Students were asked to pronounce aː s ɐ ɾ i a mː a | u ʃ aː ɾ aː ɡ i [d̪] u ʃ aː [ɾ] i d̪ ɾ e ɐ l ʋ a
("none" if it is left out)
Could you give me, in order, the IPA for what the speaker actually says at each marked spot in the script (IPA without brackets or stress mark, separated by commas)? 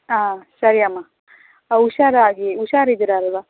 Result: none, ɾ